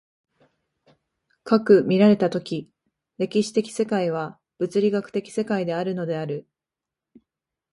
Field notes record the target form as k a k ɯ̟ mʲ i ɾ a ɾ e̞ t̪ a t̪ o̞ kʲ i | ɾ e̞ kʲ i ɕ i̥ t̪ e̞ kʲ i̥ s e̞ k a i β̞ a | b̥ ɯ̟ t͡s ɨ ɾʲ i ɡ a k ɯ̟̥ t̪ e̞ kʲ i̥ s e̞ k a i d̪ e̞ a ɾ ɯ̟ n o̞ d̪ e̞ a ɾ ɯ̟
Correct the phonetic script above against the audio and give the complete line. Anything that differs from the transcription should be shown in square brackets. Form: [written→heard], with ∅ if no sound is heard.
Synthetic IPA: k a k ɯ̟ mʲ i ɾ a ɾ e̞ t̪ a t̪ o̞ kʲ i | ɾ e̞ kʲ i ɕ i̥ t̪ e̞ kʲ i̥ s e̞ k a i β̞ a | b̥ ɯ̟ t͡s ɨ ɾʲ i ɡ a k ɯ̟̥ t̪ e̞ kʲ i̥ s e̞ k a i d̪ e̞ a ɾ ɯ̟ n o̞ d̪ e̞ a ɾ ɯ̟